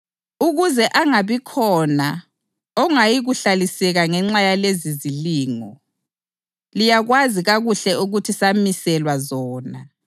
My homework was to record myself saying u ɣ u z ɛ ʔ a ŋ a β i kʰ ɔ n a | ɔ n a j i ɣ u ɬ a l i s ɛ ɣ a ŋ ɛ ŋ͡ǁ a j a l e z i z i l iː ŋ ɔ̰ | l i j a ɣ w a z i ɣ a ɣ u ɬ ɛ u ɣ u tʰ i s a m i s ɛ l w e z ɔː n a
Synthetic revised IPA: u ɣ u z ɛ ʔ a ŋ a β i kʰ ɔ n a | ɔ ŋ a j i ɣ u ɬ a l i s ɛ ɣ a ŋ ɛ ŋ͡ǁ a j a l e z i z i l iː ŋ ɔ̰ | l i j a ɣ w a z i ɣ a ɣ u ɬ ɛ u ɣ u tʰ i s a m i s ɛ l w a z ɔː n a

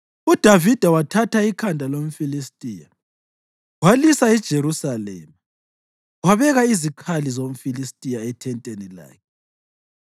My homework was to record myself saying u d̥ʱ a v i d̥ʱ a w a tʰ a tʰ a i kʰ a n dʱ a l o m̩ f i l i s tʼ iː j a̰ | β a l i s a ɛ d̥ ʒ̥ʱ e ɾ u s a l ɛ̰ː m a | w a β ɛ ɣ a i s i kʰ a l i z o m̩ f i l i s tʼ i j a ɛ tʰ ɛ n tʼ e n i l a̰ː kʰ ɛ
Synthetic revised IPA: u d̥ʱ a v i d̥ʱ a w a tʰ a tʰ a i kʰ a n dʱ a l o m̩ f i l i s tʼ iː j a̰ | w a l i s a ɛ d̥ ʒ̥ʱ e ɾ u s a l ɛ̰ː m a | w a β ɛ ɣ a i z i kʰ a l i z o m̩ f i l i s tʼ i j a ɛ tʰ ɛ n tʼ e n i l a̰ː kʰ ɛ

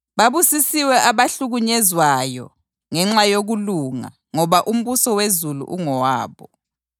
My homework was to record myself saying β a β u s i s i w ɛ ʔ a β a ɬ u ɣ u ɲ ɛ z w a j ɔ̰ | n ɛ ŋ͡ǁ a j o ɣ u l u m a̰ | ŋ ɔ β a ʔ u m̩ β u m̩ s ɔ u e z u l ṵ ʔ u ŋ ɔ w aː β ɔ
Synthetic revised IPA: β a β u s i s i w ɛ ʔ a β a ɬ u ɣ u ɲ ɛ z w a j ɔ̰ | ŋ ɛ ŋ͡ǁ a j o ɣ u l u ŋ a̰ | ŋ ɔ β a ʔ u m̩ β u s ɔ w e z u l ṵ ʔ u ŋ ɔ w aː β ɔ

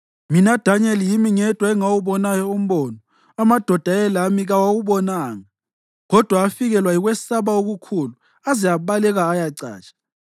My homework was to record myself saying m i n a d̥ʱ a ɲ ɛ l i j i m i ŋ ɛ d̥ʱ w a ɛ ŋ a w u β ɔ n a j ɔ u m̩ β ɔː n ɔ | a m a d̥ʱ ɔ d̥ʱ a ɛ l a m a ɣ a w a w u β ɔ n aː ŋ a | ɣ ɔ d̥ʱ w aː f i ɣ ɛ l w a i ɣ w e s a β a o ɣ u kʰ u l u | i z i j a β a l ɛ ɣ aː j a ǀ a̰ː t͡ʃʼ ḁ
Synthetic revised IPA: m i n a d̥ʱ a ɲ ɛ l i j i m i ŋ ɛ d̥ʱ w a ɛ ŋ a w u β ɔ n a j ɔ u m̩ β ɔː n ɔ | a m a d̥ʱ ɔ d̥ʱ a ɛ l a m i ɣ a w a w u β ɔ n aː ŋ a | ɣ ɔ d̥ʱ w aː f i ɣ ɛ l w a i ɣ w ɛ s a β a o ɣ u kʰ u l u | a z i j a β a l ɛ ɣ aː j a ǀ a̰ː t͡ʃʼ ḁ

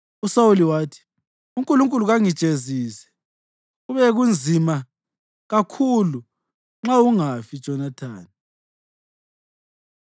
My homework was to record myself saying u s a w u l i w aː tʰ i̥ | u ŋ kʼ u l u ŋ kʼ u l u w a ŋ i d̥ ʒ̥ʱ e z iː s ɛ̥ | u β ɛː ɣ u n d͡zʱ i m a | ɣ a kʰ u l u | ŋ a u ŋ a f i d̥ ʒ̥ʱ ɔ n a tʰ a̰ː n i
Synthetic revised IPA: u s a w u l i w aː tʰ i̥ | u ŋ kʼ u l u ŋ kʼ u l u ɣ a ŋ i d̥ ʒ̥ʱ e z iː s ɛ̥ | u β ɛ ɣ u n d͡zʱ i m a | ɣ a kʰ u l u | ŋ͡ǁ a u ŋ a f i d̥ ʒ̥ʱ ɔ n a tʰ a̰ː n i

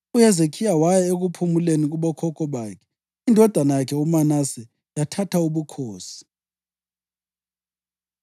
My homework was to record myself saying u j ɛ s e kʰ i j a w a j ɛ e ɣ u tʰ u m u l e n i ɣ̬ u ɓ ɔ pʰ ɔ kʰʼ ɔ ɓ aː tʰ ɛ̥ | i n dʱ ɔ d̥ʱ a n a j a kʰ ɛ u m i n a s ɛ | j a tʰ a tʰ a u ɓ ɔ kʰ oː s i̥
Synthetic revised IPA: u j ɛ z e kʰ i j a w a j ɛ e ɣ u pʰ u m u l e n i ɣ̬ u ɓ ɔ kʰ ɔ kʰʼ ɔ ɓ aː kʰ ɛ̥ | i n dʱ ɔ d̥ʱ a n a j a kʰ ɛ u m a n a s ɛ | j a tʰ a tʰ a u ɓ u kʰ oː s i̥

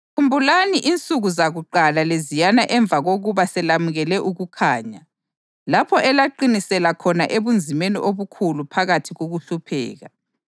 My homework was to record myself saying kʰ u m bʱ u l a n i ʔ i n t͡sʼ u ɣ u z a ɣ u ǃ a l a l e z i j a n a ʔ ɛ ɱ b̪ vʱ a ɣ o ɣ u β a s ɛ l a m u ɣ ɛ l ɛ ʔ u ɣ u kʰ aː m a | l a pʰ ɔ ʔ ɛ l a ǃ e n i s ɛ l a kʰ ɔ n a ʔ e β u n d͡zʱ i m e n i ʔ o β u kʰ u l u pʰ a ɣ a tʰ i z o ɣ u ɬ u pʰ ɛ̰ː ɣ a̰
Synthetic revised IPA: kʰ u m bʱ u l a n i ʔ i n t͡sʼ u ɣ u z a ɣ u ǃ a l a l e z i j a n a ʔ ɛ ɱ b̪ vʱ a ɣ o ɣ u β a s ɛ l a m u ɣ ɛ l ɛ ʔ u ɣ u kʰ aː ɲ a | l a pʰ ɔ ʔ ɛ l a ǃ i n i s ɛ l a kʰ ɔ n a ʔ e β u n d͡zʱ i m e n i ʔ o β u kʰ u l u pʰ a ɣ a tʰ i ɣ o ɣ u ɬ u pʰ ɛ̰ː ɣ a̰

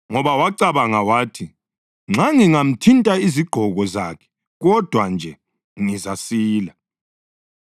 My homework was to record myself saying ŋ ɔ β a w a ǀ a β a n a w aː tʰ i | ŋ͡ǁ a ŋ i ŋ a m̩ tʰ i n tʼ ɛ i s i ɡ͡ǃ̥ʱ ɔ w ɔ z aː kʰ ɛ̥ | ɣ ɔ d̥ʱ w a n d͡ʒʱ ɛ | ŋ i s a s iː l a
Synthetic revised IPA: ŋ ɔ β a w a ǀ a β a ŋ a w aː tʰ i | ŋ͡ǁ a ŋ i ŋ a m̩ tʰ i n tʼ a i z i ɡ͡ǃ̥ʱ ɔ ɣ ɔ z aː kʰ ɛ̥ | ɣ ɔ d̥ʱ w a n d͡ʒʱ ɛ | ŋ i z a s iː l a

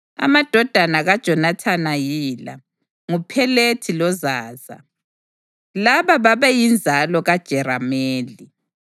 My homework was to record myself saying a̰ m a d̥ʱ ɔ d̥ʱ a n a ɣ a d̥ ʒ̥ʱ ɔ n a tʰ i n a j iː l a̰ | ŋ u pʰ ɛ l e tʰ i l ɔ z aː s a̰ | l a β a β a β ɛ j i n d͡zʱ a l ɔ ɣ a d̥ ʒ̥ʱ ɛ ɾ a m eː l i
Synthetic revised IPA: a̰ m a d̥ʱ ɔ d̥ʱ a n a ɣ a d̥ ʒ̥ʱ ɔ n a tʰ a n a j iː l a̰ | ŋ u pʰ ɛ l e tʰ i l ɔ z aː z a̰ | l a β a β a β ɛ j i n d͡zʱ a l ɔ ɣ a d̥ ʒ̥ʱ ɛ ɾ a m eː l i

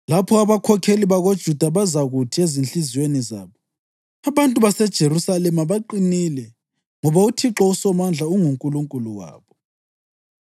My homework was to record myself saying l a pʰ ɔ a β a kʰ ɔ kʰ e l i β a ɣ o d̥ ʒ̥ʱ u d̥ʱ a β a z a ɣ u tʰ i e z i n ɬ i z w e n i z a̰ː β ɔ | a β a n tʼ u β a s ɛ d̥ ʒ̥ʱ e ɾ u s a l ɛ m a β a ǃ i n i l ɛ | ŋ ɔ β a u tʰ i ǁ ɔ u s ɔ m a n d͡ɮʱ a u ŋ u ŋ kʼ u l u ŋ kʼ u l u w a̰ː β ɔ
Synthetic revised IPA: l a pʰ ɔ a β a kʰ ɔ kʰ e l i β a ɣ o d̥ ʒ̥ʱ u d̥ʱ a β a z a ɣ u tʰ i e z i n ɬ i z w e n i z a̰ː β ɔ | a β a n tʼ u β a s ɛ d̥ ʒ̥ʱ e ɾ u s a l ɛ m a β a ǃ i n i l ɛ | ŋ ɔ β a u tʰ i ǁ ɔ u s ɔ m a n d͡ɮʱ a u ŋ u ŋ kʼ u l u ŋ kʼ u l u w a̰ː β ɔ

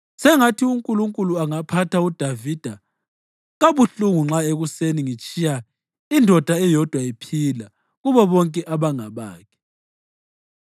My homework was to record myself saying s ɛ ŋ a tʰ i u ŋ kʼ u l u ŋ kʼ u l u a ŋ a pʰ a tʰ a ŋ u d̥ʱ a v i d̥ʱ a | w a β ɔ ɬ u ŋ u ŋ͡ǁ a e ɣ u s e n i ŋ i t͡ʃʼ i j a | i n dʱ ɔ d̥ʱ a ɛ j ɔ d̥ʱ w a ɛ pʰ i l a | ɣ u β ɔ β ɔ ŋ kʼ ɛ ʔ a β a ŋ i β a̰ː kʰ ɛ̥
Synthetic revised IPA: s ɛ ŋ a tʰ i u ŋ kʼ u l u ŋ kʼ u l u a ŋ a pʰ a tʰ a u d̥ʱ a v i d̥ʱ a | ɣ a β u ɬ u ŋ u ŋ͡ǁ a e ɣ u s e n i ŋ i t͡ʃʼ i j a | i n dʱ ɔ d̥ʱ a ɛ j ɔ d̥ʱ w a i pʰ i l a | ɣ u β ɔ β ɔ ŋ kʼ ɛ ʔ a β a ŋ a β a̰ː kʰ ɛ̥

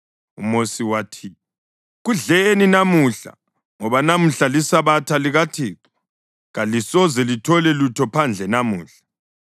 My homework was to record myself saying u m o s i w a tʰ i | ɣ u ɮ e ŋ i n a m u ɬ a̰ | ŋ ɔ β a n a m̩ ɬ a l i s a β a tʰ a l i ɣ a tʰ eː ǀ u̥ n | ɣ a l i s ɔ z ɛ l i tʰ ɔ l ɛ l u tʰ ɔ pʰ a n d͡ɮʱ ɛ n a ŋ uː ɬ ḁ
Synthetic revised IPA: u m o s i w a tʰ i | ɣ u ɮ e n i n a m u ɬ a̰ | ŋ ɔ β a n a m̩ ɬ a l i s a β a tʰ a l i ɣ a tʰ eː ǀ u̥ | ɣ a l i s ɔ z ɛ l i tʰ ɔ l ɛ l u tʰ ɔ pʰ a n d͡ɮʱ ɛ n a m uː ɬ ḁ

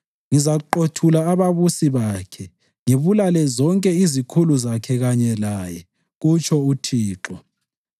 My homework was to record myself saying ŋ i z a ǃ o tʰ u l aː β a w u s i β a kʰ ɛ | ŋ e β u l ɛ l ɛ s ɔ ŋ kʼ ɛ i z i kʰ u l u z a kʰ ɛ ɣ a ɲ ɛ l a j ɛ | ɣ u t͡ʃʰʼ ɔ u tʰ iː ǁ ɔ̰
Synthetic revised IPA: ŋ i z a ǃ o tʰ u l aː β a β u s i β a kʰ ɛ | ŋ e β u l a l ɛ z ɔ ŋ kʼ ɛ i z i kʰ u l u z a kʰ ɛ ɣ a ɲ ɛ l a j ɛ | ɣ u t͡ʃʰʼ ɔ u tʰ iː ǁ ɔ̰

